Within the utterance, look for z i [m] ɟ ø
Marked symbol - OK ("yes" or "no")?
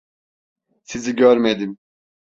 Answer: no